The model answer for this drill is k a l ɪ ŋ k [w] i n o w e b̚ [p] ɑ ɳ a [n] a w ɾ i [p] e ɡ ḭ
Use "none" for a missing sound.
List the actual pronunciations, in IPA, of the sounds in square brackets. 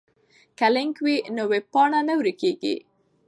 w, p, n, k

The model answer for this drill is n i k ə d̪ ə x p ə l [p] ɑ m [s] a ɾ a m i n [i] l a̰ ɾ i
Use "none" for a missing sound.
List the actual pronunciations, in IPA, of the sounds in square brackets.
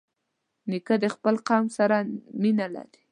q, s, a

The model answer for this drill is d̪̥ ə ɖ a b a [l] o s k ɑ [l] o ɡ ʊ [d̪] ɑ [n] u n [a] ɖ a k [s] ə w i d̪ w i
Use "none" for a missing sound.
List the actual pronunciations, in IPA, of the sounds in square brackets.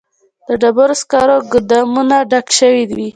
ɾ, ɾ, d̪, m, a, ʃ

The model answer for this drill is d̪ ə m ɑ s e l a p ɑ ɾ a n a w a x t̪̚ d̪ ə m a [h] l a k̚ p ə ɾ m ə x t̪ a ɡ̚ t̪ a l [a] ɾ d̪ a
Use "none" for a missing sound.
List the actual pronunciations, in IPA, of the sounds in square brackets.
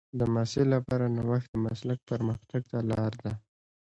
s, ɑ

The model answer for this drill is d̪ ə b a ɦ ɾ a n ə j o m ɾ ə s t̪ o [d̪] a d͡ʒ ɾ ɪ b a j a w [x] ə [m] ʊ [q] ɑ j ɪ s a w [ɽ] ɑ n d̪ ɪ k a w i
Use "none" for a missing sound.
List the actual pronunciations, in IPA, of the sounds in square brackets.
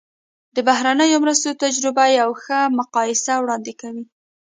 t̪, x, m, q, ɽ

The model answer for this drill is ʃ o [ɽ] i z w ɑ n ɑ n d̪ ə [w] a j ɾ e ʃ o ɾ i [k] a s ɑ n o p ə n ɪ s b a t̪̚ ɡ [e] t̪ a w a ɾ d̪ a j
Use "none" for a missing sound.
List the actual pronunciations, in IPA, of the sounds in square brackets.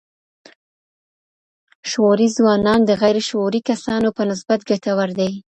ɾ, ɣ, k, a

